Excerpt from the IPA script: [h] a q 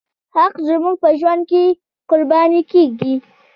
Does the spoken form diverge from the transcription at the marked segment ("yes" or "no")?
no